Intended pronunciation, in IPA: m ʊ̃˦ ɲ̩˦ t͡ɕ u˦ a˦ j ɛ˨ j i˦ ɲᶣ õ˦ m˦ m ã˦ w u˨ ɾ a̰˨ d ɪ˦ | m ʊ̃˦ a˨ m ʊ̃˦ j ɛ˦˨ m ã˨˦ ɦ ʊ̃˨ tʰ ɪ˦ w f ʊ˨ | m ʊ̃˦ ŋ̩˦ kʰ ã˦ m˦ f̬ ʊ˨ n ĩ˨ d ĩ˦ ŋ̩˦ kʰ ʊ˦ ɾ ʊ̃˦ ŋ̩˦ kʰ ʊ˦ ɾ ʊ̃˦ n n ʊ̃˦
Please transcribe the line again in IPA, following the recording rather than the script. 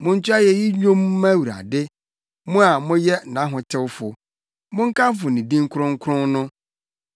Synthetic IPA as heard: m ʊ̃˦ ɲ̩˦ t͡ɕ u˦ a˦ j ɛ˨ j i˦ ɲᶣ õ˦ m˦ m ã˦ w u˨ ɾ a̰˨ d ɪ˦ | m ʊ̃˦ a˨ m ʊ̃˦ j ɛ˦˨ n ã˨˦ ɦ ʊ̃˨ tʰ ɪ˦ w f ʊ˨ | m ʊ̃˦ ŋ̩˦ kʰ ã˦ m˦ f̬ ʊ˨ n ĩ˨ d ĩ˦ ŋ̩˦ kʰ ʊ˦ ɾ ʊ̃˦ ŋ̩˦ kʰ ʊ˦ ɾ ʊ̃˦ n n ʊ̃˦

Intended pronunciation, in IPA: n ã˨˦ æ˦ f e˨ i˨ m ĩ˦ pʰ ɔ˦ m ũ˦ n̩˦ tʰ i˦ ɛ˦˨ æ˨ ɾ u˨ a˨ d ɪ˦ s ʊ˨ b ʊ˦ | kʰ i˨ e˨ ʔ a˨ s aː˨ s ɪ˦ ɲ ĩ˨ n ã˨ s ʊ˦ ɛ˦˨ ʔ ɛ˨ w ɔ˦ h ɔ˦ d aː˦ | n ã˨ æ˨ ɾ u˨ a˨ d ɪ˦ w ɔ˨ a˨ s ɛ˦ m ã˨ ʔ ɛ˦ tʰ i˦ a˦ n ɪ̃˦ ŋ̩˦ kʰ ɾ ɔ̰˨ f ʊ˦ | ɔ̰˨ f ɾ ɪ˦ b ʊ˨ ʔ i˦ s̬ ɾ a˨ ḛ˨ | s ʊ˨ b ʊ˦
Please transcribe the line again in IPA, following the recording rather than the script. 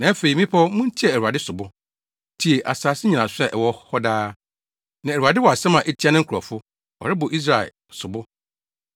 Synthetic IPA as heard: n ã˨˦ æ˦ f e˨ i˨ m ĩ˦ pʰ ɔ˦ m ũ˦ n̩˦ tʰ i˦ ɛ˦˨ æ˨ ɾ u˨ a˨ d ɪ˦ s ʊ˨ b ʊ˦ | tʰ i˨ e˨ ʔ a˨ s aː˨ s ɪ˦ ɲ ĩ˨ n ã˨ s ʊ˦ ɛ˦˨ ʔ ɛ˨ w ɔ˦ h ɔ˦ d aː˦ | n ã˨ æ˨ ɾ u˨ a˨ d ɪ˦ w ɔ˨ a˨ s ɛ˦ m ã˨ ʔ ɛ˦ tʰ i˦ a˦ n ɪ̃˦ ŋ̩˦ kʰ ɾ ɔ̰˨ f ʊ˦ | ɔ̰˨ ɾ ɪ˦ b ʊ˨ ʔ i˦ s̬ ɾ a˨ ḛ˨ | s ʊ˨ b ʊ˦

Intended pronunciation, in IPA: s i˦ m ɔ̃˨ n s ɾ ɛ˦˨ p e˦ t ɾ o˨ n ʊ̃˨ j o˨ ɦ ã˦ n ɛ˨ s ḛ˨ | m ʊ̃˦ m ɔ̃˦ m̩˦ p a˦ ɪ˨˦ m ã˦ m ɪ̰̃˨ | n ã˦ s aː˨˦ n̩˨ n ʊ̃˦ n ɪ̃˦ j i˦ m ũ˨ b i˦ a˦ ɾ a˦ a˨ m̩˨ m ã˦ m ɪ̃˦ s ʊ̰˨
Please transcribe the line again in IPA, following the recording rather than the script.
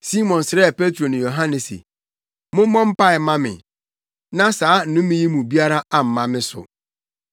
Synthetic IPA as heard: s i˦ m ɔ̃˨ n s ɾ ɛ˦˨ p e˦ t ɾ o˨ n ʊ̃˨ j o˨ ɦ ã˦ n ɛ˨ s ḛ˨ | m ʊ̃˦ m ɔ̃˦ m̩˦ p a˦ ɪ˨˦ m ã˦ m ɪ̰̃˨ | n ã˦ s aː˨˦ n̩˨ n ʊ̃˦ m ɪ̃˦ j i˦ m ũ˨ b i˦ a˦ ɾ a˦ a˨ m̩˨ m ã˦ m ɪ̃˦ s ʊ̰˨

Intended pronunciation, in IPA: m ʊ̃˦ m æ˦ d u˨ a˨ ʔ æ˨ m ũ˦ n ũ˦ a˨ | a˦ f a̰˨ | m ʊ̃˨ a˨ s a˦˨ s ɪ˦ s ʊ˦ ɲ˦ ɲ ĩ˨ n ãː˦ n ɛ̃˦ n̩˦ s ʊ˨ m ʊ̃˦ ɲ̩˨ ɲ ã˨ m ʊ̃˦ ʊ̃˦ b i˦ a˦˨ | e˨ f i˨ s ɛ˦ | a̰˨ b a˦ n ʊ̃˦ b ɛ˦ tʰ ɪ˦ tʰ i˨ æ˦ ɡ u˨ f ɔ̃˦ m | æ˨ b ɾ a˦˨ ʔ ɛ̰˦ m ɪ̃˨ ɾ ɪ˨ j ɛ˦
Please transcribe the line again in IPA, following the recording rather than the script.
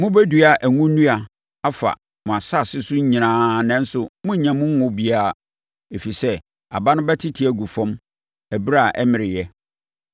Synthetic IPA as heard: m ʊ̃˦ b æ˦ d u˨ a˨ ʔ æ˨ ŋ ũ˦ n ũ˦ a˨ | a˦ f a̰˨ | m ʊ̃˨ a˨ s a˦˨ s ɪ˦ s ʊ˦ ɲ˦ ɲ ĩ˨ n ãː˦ n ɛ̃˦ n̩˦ s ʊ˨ m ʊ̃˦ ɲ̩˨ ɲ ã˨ m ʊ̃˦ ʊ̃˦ b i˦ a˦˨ | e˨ f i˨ s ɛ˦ | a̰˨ b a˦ n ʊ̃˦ b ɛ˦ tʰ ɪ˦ tʰ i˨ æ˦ ɡ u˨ f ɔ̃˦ m | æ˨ b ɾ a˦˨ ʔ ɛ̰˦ m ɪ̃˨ ɾ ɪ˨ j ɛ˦

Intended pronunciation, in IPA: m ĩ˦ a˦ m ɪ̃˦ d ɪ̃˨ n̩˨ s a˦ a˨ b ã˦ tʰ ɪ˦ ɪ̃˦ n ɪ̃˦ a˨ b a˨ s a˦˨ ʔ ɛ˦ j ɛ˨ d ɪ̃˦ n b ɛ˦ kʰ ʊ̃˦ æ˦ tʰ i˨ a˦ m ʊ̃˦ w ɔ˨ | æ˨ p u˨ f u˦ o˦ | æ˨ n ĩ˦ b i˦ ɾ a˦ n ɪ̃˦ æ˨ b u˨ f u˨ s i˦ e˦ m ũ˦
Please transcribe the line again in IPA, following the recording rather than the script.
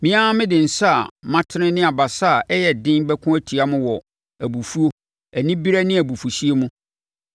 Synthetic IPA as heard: m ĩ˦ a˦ m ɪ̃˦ d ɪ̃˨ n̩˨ s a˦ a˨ m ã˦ tʰ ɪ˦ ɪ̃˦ n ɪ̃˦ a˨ b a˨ s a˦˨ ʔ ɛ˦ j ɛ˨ d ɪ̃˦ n b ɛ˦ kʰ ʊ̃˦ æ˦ tʰ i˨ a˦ m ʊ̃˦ w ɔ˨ | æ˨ b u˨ f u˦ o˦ | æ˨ n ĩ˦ b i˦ ɾ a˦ n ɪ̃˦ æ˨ b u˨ f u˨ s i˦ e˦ m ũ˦

